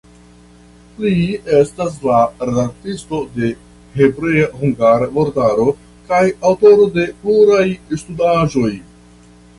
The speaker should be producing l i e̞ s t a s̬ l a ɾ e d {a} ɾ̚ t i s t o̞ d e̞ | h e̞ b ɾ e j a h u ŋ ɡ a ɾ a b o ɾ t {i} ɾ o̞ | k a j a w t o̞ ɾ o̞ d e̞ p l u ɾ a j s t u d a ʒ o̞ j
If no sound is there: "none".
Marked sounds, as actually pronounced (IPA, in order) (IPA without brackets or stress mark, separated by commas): a, a